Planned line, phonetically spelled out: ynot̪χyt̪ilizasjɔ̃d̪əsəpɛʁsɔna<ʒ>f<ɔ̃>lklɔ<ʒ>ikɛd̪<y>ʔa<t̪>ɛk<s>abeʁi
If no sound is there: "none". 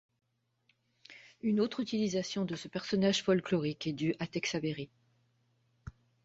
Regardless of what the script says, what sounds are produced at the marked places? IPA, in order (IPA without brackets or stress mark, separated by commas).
ʒ, ɔ, ʁ, y, t̪, s